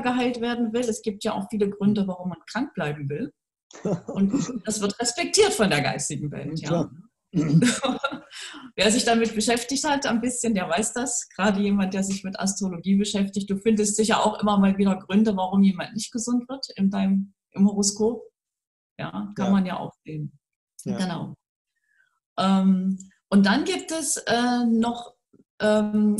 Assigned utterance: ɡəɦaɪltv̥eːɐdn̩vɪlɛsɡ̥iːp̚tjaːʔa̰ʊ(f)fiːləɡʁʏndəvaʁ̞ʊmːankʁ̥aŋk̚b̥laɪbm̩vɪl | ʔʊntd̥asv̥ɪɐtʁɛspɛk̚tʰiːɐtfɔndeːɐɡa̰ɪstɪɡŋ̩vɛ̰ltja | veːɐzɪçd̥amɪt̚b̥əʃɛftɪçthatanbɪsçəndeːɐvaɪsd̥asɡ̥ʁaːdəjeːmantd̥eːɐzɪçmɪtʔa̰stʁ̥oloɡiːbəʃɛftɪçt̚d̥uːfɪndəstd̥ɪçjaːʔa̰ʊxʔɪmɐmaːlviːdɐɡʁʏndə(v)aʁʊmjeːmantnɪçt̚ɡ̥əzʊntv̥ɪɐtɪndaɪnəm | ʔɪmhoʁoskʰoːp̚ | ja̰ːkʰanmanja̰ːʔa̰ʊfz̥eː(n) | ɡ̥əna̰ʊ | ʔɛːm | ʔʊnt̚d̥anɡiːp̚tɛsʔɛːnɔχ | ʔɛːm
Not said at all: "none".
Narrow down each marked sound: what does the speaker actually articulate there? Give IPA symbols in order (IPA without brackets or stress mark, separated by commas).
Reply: x, v, n